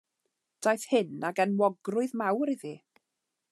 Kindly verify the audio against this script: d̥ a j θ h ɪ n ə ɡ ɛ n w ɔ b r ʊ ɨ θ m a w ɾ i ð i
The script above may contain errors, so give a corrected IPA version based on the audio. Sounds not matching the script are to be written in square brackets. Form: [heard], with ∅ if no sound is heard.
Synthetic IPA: d̥ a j θ h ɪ n [a] ɡ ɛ n w ɔ [ɡ] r ʊ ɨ [ð] m a w ɾ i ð i